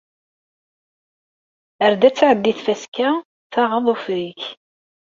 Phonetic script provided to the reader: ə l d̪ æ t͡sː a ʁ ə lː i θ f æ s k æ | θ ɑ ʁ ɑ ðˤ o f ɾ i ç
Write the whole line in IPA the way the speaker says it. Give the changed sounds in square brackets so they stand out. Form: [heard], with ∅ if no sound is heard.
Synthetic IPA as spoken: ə [ɾ] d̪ æ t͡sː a [ʕ] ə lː i θ f æ s k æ | θ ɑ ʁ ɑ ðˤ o f ɾ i ç